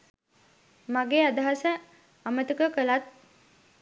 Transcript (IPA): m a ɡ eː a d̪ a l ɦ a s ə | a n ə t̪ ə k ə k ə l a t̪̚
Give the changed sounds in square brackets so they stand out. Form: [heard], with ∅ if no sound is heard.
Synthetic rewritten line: m a ɡ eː a d̪ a [∅] ɦ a s ə | a [m] ə t̪ ə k ə k ə l a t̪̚

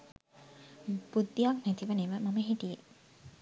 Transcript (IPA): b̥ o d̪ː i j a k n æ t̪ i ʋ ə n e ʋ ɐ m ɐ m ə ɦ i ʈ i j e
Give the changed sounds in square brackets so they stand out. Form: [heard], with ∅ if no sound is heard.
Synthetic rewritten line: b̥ [u] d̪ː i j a k n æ t̪ i ʋ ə n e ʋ [ə] m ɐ m ə ɦ i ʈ i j e

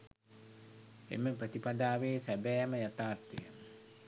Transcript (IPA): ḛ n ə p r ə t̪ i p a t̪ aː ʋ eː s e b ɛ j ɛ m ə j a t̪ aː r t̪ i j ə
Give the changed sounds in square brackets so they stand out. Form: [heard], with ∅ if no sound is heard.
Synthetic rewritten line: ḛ [m] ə p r ə t̪ i p a [d̪] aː ʋ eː s [æ] b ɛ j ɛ m ə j a t̪ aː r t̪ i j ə

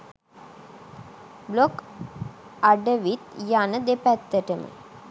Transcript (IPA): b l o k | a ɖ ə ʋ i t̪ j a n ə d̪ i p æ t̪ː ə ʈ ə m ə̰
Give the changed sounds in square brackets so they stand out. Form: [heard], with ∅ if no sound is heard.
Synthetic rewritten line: b l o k | a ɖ ə ʋ i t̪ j a n ə d̪ [e] p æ t̪ː ə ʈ ə m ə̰

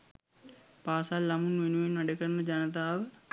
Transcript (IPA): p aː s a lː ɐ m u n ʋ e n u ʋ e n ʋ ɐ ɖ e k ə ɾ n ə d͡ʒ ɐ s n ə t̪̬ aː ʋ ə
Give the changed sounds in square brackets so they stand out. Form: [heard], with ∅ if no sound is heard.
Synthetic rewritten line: p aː s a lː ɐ m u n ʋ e n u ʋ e n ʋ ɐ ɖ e k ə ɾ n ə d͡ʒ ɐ [∅] n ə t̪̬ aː ʋ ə

